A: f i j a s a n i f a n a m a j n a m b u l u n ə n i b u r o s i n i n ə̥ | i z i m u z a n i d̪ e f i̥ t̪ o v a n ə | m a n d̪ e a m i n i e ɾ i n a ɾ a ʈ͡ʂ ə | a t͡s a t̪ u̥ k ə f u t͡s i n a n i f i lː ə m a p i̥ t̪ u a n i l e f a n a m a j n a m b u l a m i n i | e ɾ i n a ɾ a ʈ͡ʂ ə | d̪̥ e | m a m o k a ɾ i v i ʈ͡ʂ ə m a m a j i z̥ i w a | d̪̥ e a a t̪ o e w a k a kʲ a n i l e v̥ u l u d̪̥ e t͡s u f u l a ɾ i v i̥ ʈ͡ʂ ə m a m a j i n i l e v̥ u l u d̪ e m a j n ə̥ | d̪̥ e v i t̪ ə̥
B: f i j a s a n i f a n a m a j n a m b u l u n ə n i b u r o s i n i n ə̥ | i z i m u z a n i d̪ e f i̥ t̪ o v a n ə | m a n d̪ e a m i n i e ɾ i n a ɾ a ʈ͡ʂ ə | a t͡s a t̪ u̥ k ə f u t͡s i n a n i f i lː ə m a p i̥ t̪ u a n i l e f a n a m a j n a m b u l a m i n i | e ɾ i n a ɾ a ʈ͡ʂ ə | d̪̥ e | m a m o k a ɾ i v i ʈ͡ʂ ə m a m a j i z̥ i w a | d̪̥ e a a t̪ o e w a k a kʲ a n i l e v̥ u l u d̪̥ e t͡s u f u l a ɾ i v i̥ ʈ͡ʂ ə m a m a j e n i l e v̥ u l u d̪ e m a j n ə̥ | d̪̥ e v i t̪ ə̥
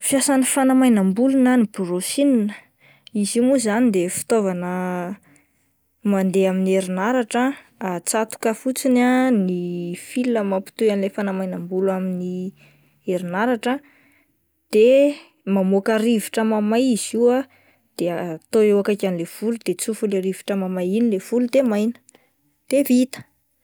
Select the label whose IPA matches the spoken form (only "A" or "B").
A